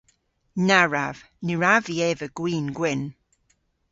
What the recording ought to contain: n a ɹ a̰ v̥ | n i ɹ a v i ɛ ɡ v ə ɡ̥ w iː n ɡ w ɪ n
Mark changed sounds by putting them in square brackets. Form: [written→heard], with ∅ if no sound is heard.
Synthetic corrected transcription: n a ɹ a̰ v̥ | n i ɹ a v i ɛ [ɡ→∅] v ə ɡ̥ w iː n ɡ w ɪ n